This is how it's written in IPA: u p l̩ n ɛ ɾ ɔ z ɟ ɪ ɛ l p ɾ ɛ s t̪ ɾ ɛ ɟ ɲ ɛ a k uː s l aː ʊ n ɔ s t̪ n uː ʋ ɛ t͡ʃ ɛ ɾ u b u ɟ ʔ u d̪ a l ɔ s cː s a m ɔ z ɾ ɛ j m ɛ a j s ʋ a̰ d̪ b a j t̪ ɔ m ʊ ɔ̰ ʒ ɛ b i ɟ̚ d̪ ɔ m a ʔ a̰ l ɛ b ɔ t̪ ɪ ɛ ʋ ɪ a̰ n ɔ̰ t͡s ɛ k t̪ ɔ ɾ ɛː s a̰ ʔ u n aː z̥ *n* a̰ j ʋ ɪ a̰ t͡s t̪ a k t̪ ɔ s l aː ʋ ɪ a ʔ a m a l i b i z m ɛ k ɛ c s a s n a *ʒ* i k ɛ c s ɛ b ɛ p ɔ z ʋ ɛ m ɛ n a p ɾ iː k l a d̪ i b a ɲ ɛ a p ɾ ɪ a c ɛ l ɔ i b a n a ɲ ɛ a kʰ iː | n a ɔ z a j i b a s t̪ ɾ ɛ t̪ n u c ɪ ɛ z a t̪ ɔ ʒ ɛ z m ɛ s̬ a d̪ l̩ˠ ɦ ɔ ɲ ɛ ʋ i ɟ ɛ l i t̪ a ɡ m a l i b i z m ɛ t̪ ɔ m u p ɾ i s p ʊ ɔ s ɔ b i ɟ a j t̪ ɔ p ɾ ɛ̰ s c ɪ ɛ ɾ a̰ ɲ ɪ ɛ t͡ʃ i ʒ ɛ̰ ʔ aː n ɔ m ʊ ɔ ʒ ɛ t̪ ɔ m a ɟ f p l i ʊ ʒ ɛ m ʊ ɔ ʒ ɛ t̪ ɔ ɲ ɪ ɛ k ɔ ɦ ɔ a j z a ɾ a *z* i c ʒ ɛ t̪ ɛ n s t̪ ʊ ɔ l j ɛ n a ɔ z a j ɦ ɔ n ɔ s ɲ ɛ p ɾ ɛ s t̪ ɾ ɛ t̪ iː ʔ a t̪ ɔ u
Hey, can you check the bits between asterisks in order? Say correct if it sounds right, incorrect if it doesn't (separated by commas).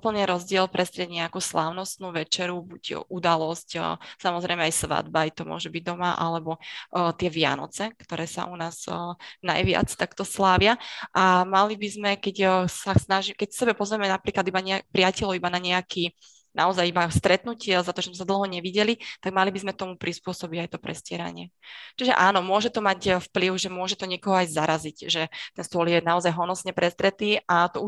correct, correct, correct